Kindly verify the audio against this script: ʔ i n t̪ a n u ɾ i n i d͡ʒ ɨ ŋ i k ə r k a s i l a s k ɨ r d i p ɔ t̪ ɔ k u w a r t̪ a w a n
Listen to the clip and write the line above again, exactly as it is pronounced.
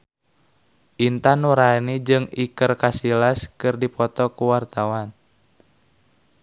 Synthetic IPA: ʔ i n t̪ a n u ɾ a n i d͡ʒ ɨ ŋ i k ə r k a s i l a s k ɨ r d i p ɔ t̪ ɔ k u w a r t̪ a w a n